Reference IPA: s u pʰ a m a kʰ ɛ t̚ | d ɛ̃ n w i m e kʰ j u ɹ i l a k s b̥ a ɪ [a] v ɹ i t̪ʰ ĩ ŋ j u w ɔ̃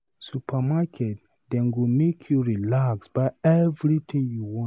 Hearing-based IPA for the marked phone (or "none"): ɛ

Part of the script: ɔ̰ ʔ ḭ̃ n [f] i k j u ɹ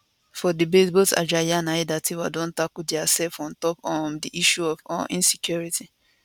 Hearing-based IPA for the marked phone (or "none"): s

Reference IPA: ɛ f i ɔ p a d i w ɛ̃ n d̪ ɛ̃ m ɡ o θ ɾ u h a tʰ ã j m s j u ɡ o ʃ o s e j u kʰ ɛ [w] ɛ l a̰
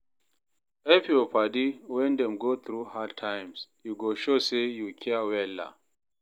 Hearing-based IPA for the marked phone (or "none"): w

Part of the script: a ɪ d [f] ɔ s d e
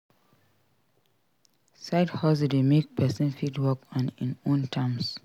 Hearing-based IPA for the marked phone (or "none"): h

